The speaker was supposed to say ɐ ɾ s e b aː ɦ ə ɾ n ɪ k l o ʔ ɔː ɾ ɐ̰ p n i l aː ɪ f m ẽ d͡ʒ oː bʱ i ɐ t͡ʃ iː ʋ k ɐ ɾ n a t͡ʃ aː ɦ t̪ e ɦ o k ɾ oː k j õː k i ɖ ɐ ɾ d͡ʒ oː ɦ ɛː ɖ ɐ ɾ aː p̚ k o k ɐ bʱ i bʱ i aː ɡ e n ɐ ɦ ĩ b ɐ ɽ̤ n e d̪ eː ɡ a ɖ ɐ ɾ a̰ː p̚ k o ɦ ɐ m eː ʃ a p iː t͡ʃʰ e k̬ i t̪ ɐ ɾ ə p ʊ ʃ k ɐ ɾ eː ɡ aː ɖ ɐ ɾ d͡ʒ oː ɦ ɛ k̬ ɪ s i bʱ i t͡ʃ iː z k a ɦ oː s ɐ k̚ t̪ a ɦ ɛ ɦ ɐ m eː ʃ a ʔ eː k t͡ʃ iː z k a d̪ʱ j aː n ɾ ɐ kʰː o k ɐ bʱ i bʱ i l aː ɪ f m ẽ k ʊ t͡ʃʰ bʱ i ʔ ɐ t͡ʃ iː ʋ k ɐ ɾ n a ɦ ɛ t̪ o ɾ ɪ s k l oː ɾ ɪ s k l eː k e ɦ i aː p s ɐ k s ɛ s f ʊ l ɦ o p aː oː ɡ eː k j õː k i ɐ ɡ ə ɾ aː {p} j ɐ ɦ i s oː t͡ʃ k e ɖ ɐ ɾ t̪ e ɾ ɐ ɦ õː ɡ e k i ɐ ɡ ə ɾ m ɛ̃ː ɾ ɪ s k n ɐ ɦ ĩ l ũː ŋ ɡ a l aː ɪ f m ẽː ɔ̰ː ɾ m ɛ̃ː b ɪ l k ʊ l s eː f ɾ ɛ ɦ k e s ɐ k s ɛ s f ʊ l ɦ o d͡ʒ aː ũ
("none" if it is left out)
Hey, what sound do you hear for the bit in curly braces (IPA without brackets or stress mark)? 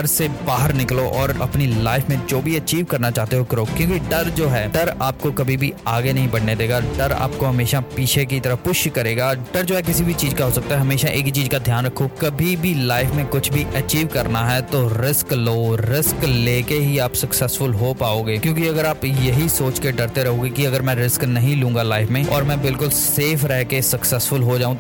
p